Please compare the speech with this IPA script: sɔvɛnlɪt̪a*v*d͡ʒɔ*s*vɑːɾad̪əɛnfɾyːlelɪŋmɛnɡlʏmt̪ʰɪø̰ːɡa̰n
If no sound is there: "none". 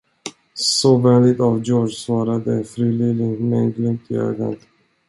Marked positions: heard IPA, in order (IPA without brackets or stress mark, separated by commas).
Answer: v, s